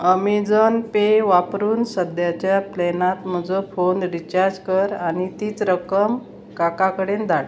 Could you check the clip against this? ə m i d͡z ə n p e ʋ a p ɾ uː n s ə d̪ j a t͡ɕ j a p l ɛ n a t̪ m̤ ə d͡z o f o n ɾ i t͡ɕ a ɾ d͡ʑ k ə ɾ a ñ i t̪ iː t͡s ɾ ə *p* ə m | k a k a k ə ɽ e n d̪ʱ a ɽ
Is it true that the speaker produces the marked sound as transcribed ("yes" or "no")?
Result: no